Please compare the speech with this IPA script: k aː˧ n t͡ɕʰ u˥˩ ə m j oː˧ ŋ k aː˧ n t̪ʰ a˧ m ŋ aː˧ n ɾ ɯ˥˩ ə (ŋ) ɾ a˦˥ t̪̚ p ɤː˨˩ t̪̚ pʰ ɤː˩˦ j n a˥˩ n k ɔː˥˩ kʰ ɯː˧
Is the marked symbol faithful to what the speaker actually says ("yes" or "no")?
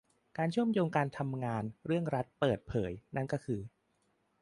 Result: yes